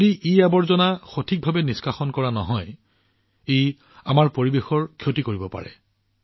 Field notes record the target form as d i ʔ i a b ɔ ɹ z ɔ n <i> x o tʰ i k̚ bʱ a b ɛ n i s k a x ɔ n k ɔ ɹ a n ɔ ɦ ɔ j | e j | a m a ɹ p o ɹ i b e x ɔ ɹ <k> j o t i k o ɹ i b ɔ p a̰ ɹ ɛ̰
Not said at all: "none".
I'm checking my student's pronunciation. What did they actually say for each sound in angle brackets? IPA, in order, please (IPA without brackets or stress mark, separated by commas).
a, kʰ